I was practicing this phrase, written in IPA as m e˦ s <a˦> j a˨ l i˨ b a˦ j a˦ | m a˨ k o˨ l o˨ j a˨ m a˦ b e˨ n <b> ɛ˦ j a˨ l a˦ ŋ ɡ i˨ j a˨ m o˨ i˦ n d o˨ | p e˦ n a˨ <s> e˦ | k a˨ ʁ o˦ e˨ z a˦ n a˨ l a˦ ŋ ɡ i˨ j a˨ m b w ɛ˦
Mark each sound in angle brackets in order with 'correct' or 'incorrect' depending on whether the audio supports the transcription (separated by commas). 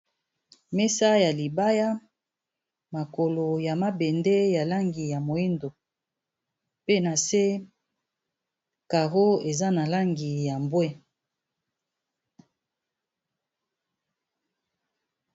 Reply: correct, incorrect, correct